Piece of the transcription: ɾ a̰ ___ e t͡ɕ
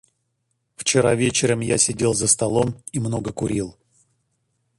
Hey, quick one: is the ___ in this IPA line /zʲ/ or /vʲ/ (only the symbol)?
vʲ